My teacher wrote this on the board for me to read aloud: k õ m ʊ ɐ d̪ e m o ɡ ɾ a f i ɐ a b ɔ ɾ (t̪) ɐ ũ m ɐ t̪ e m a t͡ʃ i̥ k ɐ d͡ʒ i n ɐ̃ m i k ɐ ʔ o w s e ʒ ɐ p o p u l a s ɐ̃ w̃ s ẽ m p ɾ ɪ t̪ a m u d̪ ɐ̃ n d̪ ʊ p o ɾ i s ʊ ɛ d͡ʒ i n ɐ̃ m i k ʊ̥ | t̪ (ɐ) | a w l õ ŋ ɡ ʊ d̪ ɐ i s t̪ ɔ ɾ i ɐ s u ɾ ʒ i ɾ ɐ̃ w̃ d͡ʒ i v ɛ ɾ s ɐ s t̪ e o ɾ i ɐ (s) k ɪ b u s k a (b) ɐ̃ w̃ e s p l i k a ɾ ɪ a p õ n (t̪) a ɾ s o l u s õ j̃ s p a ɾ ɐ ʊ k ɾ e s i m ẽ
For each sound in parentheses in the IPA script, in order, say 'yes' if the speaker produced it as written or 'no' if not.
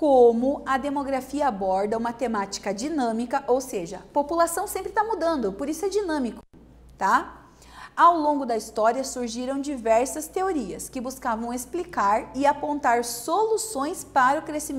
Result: no, no, yes, no, yes

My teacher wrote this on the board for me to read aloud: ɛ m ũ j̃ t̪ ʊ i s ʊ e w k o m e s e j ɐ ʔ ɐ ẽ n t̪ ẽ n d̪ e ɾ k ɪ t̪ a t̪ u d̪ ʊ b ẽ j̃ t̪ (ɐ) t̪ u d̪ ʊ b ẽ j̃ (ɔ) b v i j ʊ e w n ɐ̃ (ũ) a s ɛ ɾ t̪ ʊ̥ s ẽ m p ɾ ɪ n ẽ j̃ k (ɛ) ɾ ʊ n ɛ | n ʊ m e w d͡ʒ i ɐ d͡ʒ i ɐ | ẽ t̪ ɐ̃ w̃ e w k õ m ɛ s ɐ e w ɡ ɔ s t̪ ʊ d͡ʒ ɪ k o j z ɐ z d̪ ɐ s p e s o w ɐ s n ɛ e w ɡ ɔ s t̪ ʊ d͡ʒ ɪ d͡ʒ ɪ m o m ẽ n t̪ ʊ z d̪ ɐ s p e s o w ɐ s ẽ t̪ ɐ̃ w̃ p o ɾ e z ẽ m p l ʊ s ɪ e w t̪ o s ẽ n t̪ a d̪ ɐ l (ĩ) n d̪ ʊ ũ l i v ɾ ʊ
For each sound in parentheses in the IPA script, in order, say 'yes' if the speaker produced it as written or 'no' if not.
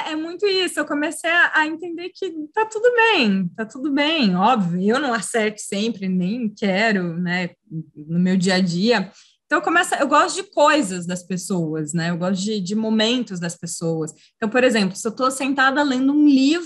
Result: no, yes, no, yes, no

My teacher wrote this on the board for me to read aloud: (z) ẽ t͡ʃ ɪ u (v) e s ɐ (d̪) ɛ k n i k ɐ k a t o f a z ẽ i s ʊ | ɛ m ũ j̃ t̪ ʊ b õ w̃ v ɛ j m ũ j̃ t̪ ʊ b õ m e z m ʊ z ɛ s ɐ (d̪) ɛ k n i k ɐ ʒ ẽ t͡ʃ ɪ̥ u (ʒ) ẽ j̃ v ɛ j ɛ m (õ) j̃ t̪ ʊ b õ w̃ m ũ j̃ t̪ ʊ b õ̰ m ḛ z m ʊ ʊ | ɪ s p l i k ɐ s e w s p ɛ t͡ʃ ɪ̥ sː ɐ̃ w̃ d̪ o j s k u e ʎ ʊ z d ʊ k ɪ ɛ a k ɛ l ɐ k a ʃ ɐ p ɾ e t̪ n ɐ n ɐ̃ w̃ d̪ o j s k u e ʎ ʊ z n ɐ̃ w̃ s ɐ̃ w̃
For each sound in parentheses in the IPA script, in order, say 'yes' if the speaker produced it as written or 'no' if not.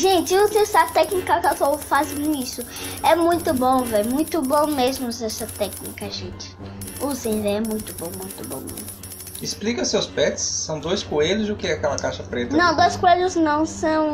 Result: no, no, no, no, no, no

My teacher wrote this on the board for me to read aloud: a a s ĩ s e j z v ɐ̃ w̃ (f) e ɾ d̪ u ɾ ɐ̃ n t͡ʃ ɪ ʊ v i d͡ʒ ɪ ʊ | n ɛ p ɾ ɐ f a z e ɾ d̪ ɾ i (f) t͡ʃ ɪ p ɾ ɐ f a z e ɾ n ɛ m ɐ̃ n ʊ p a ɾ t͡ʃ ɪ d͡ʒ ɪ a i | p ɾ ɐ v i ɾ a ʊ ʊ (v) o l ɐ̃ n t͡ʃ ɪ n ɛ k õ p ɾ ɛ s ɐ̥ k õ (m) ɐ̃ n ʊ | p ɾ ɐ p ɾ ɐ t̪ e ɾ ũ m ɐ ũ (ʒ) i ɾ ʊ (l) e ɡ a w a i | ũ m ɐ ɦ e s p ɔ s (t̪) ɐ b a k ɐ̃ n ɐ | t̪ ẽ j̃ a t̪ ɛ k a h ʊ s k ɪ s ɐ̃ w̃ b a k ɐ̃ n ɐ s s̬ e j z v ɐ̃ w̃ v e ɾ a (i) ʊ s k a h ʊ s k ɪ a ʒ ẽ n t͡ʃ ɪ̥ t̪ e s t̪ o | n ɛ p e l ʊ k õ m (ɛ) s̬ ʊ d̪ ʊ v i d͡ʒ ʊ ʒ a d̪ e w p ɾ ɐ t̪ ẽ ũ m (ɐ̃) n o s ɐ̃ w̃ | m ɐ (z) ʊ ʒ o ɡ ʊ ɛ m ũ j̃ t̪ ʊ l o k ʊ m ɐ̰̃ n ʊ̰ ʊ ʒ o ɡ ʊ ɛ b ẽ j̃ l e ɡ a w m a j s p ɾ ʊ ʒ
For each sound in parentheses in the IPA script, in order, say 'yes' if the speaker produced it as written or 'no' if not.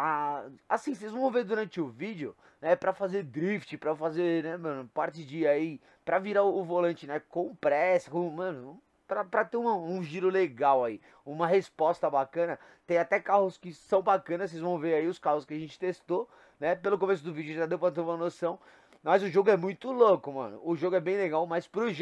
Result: no, yes, yes, yes, yes, yes, yes, yes, no, no, yes

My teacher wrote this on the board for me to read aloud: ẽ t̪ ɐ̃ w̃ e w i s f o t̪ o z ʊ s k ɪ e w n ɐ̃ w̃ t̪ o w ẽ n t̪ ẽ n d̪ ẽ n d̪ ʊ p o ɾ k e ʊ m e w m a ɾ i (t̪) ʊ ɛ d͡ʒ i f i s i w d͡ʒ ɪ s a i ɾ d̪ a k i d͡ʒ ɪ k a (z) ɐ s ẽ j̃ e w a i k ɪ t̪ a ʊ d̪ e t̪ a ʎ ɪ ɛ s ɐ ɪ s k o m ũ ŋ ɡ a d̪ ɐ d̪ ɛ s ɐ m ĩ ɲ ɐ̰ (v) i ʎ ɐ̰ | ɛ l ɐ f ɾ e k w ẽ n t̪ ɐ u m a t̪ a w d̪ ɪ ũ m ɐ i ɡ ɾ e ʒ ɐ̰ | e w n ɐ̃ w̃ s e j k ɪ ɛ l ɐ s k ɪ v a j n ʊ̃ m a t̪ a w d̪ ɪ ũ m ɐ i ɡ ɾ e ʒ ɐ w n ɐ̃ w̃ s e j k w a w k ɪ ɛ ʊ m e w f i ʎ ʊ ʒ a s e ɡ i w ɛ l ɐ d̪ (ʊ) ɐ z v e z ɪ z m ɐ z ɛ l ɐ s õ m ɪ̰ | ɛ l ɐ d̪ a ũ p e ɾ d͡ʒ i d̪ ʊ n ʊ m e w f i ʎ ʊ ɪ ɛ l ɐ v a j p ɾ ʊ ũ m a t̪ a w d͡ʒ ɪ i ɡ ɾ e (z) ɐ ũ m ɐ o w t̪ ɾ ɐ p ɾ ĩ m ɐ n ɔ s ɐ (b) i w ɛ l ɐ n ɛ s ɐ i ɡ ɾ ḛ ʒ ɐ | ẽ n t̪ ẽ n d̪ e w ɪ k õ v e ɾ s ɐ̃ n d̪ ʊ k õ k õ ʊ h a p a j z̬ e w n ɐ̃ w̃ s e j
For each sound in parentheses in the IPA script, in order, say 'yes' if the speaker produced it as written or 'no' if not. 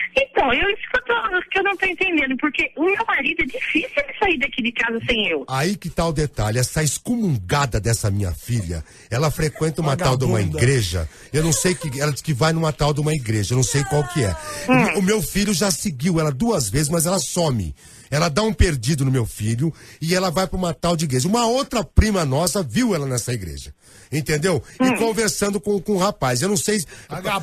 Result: no, yes, no, no, no, no

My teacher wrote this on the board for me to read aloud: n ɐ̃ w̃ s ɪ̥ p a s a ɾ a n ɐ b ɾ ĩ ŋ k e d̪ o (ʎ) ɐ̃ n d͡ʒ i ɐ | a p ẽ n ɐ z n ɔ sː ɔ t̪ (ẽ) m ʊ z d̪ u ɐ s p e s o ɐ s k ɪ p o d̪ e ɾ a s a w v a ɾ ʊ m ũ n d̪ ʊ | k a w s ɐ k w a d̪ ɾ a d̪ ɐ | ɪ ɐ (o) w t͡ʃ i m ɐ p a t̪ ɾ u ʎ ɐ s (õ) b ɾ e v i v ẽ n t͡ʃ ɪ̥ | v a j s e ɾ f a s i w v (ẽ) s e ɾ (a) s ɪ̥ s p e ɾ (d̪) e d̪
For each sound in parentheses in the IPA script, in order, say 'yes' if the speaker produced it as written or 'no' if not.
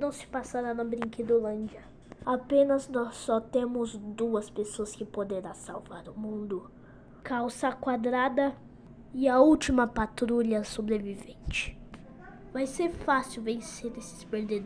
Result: no, yes, no, no, yes, no, yes

